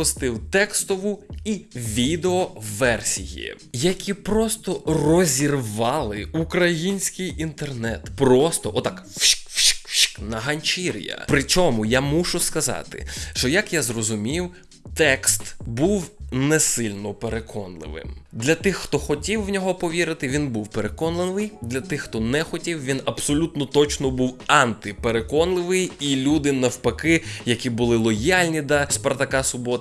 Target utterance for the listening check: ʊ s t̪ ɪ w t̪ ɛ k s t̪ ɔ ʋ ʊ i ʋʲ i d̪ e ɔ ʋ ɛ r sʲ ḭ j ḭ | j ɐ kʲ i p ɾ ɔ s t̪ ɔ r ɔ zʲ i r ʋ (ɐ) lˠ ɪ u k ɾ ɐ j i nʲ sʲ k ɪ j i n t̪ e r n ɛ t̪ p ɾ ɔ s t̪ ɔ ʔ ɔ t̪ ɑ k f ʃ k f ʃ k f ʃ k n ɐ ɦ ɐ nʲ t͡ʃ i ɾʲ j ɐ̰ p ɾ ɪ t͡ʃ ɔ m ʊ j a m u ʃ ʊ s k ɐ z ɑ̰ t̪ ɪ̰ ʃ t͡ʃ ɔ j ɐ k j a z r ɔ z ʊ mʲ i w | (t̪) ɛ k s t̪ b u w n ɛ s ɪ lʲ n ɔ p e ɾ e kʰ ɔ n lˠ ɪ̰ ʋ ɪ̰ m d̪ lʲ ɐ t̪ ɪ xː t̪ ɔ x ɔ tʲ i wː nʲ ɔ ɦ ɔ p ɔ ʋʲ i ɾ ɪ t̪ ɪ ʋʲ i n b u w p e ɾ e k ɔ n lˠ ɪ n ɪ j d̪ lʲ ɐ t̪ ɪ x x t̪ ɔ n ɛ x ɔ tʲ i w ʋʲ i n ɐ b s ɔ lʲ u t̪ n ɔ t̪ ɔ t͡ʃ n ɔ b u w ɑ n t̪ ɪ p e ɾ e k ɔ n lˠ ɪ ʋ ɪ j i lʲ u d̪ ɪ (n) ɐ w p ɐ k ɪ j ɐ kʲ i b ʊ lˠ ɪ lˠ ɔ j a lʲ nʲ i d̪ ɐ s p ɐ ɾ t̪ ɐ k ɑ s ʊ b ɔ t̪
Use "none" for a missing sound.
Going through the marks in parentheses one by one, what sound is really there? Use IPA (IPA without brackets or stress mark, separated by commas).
ɑ, t̪, n